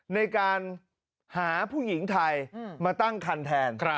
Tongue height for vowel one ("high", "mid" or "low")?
low